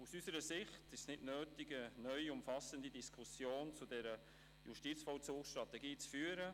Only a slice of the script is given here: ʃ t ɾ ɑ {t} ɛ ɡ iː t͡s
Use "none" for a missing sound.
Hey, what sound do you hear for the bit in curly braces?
t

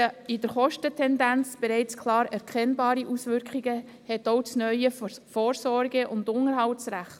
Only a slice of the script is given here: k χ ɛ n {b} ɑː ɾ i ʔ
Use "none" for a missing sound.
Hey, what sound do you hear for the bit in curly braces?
b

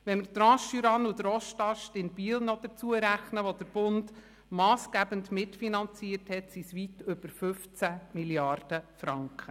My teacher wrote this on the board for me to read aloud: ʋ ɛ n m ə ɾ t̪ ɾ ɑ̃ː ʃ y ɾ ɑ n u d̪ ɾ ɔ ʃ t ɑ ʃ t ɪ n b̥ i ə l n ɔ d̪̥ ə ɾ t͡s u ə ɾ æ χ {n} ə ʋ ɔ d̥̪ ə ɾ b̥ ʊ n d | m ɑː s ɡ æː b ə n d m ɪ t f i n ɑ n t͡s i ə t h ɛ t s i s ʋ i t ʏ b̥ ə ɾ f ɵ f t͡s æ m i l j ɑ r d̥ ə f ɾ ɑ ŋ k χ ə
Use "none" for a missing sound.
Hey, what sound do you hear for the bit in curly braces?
n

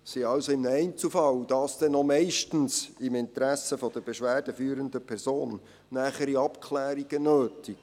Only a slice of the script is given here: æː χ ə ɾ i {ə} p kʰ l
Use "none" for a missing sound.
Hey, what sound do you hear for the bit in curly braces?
ɑ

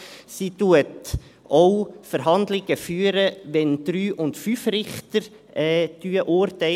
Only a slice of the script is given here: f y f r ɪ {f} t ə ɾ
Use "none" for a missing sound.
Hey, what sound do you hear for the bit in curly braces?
χ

